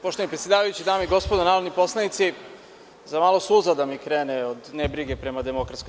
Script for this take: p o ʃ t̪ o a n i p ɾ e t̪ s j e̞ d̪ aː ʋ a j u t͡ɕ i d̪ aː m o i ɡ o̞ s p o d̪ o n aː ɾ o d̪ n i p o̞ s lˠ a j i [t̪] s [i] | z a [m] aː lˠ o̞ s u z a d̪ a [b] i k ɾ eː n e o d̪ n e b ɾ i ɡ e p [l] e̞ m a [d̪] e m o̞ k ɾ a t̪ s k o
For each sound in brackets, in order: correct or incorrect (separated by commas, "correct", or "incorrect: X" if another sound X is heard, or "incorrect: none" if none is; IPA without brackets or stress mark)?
correct, correct, correct, incorrect: m, incorrect: ɾ, correct